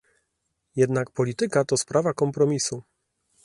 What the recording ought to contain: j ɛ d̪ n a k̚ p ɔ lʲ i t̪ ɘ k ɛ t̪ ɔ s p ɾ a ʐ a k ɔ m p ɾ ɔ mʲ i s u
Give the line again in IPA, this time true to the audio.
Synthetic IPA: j ɛ d̪ n a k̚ p ɔ lʲ i t̪ ɘ k a t̪ ɔ s p ɾ a v a k ɔ m p ɾ ɔ mʲ i s u